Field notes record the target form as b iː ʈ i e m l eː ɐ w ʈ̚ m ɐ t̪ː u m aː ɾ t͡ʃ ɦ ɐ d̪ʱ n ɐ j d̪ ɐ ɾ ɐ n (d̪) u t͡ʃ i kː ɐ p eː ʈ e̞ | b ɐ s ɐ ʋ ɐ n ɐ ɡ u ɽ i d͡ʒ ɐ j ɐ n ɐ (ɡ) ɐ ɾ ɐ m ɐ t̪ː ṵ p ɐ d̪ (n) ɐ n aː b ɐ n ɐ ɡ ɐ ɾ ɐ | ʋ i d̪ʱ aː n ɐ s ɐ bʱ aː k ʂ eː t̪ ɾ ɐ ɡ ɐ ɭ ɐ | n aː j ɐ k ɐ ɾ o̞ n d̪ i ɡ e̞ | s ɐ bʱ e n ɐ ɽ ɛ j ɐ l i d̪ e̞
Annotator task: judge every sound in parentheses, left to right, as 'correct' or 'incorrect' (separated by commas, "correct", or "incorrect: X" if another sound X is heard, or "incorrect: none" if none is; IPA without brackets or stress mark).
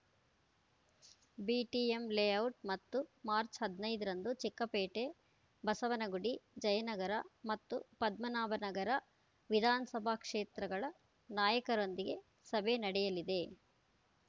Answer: correct, correct, incorrect: m